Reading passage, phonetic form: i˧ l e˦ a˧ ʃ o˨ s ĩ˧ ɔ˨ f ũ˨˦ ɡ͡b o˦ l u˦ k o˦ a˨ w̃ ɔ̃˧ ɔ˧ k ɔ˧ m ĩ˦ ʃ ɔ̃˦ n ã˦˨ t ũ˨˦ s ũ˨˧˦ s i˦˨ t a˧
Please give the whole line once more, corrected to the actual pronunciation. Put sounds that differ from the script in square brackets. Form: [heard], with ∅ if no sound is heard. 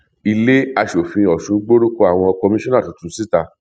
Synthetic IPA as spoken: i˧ l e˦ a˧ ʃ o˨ [f] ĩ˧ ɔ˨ [ʃ] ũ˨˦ ɡ͡b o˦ [ɾ] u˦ k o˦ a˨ w̃ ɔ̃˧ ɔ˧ k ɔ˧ m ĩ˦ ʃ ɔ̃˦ n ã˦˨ t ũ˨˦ [t] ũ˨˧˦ s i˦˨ t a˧